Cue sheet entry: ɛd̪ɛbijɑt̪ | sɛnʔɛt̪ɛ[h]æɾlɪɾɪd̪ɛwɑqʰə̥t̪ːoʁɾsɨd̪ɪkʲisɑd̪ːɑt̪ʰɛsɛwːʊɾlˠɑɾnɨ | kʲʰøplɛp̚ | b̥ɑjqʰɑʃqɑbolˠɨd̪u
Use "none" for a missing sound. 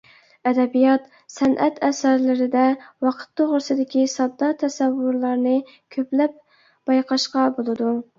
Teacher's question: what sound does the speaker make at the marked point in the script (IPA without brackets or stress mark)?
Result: s